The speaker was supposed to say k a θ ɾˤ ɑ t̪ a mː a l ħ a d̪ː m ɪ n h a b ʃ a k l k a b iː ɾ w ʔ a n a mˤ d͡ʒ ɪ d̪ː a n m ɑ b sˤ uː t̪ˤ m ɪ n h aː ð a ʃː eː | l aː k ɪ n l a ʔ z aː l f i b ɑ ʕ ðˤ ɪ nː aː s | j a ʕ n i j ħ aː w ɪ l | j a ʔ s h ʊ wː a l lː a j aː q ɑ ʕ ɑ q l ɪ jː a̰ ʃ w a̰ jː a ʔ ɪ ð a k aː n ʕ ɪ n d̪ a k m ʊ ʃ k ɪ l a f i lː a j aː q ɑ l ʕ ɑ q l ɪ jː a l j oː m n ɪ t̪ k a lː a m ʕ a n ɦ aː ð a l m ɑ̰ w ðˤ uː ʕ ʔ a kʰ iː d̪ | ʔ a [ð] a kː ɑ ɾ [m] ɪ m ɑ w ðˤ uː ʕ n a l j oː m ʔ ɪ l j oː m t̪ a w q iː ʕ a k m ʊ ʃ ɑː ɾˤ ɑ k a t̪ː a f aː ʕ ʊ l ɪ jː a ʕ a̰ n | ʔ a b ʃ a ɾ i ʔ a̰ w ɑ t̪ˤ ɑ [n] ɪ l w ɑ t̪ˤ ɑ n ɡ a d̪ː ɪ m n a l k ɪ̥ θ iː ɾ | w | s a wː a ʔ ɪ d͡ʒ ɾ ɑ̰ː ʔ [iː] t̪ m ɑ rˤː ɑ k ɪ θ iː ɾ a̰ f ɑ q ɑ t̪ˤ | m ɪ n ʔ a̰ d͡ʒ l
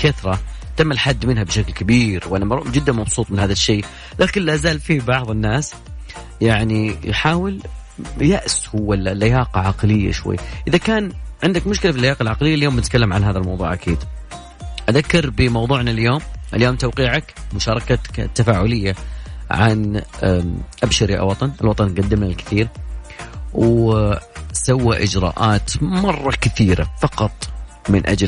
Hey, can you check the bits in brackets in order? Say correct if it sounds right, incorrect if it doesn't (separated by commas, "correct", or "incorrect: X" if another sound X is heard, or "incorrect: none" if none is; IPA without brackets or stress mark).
correct, incorrect: b, correct, incorrect: aː